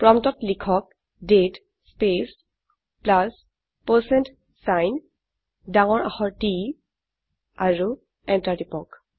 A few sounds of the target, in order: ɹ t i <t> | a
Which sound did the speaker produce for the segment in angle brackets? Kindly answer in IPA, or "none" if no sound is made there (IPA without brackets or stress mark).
none